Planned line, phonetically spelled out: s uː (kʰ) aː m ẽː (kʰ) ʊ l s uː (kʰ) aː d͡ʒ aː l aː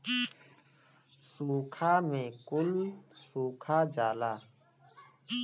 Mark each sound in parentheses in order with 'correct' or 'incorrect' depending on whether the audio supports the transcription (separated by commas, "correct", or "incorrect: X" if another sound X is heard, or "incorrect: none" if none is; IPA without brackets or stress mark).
correct, incorrect: k, correct